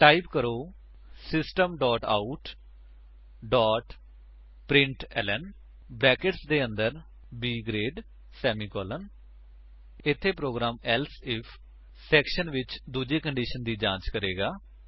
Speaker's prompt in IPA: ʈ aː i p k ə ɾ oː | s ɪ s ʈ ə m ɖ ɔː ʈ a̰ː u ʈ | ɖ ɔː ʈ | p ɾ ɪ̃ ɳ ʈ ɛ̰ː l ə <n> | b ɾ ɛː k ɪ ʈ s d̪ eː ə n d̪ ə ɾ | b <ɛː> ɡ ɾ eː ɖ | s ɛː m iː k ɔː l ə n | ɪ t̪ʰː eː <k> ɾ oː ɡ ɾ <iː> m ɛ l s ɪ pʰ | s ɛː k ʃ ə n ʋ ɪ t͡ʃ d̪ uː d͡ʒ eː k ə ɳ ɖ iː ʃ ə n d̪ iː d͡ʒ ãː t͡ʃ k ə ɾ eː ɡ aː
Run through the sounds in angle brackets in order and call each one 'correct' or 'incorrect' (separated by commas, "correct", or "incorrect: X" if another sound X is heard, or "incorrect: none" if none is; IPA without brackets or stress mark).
correct, incorrect: iː, incorrect: p, incorrect: aː